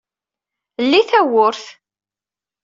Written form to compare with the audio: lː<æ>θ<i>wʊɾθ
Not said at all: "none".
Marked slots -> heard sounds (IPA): i, æ

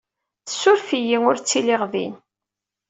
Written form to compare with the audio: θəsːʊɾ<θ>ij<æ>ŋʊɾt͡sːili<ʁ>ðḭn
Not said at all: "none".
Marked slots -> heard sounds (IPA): f, i, ʁ

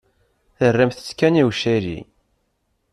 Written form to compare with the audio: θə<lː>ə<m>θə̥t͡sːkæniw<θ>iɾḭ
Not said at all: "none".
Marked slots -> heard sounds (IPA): rː, m, ʃ

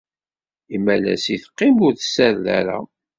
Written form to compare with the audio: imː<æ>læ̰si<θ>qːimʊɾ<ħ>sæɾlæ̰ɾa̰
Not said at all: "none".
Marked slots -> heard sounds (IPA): æ, θ, θ

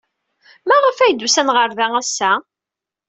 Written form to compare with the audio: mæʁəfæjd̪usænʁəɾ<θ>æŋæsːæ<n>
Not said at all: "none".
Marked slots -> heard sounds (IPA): ð, none

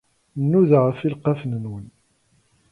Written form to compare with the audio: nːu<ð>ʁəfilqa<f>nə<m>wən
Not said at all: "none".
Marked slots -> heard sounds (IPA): ð, f, n

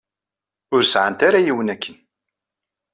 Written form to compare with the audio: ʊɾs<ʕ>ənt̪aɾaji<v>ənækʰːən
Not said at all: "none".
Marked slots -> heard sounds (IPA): ʕ, w

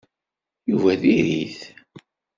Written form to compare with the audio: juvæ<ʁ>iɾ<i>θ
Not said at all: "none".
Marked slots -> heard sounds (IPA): ð, i

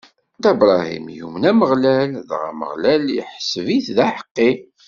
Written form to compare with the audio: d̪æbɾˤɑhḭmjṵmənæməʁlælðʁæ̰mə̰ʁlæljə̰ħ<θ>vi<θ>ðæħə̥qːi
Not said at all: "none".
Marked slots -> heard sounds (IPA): s, θ

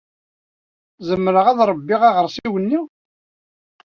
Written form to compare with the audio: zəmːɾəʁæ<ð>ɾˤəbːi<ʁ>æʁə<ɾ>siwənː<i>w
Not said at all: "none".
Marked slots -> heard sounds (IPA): ð, ʁ, ɾ, i

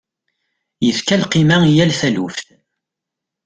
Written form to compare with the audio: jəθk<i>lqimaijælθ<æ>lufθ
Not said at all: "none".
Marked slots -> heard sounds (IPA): æ, æ

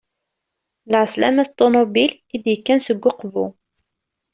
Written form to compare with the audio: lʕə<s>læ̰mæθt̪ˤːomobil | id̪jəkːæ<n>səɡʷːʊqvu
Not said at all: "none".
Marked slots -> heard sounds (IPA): s, n

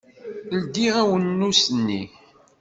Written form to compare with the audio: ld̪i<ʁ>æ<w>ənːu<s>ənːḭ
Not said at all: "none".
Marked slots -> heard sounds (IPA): ʁ, w, s

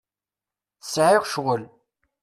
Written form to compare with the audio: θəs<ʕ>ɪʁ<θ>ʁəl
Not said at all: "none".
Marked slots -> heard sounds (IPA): ʕ, ʃ

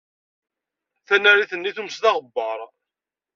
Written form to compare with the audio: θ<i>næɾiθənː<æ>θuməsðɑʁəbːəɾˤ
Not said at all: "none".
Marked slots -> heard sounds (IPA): æ, i

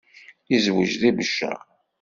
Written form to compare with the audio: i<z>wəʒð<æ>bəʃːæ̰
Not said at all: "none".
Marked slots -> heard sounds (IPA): z, i

